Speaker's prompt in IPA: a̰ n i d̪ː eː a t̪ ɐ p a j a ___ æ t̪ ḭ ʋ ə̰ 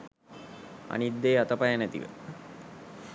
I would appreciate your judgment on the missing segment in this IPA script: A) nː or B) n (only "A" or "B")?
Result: B